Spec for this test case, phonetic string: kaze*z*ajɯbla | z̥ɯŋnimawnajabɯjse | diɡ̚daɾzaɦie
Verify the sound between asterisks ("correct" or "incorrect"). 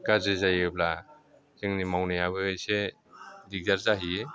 correct